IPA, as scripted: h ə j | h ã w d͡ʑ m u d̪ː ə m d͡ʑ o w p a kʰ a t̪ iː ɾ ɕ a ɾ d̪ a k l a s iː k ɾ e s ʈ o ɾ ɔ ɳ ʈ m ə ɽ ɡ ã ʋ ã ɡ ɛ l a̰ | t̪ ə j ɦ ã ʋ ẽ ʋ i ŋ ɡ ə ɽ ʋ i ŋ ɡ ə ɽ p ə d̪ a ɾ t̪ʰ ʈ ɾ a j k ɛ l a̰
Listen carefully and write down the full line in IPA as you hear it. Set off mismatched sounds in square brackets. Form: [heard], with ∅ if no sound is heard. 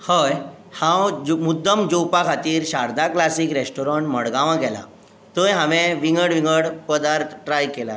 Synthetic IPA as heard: h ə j | h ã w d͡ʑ m u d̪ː ə m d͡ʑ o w p a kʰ a t̪ iː ɾ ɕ a ɾ d̪ a k l a s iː k ɾ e s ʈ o ɾ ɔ ɳ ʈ m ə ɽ ɡ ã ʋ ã ɡ ɛ l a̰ | t̪ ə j ɦ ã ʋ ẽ ʋ i ŋ ɡ ə ɽ ʋ i ŋ ɡ ə ɽ p ə d̪ a ɾ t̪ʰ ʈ ɾ a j k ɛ l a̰